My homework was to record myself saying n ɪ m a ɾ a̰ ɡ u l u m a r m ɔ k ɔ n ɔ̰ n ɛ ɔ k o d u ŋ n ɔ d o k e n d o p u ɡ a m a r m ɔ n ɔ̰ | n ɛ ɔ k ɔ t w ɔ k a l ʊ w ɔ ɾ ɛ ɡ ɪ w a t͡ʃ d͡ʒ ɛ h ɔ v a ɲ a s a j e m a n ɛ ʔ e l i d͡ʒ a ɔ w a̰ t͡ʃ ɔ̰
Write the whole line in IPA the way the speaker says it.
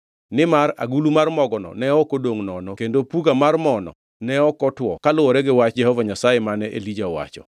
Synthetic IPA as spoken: n ɪ m a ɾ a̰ ɡ u l u m a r m ɔ ɡ ɔ n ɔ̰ n ɛ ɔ k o d o ŋ n ɔ n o k e n d o p u ɡ a m a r m ɔ n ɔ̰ | n ɛ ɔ k ɔ t w ɔ k a l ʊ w ɔ ɾ ɛ ɡ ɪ w a t͡ʃ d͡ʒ ɛ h ɔ v a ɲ a s a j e m a n ɛ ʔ e l i d͡ʒ a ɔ w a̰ t͡ʃ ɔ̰